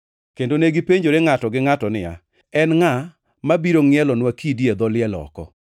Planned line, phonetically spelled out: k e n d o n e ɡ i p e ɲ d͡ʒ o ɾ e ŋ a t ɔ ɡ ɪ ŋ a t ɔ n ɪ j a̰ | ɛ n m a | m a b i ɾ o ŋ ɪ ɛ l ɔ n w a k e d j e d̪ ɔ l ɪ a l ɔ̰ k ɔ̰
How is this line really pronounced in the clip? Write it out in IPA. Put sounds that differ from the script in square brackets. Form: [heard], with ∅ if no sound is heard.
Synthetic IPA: k e n d o n e ɡ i p e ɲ d͡ʒ o ɾ e ŋ a t ɔ ɡ ɪ ŋ a t ɔ n ɪ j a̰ | ɛ n [ŋ] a | m a b i ɾ o ŋ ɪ ɛ l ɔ n w a k [i] d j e d̪ ɔ l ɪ [ɛ] l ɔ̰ k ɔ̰